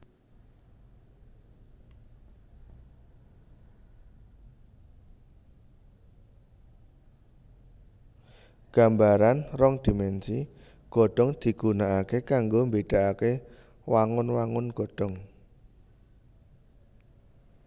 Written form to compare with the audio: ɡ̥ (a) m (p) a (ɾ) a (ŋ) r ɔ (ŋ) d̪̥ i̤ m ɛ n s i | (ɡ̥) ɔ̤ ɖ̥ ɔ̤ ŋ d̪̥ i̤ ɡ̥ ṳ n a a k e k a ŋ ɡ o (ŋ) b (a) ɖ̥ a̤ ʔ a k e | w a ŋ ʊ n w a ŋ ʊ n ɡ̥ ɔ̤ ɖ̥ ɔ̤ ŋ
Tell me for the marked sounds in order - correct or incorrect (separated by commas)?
correct, incorrect, correct, incorrect, correct, correct, incorrect, incorrect